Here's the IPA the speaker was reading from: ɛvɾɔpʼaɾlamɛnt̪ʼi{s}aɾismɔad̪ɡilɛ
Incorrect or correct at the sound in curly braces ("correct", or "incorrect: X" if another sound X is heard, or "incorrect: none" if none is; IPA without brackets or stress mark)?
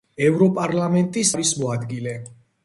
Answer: correct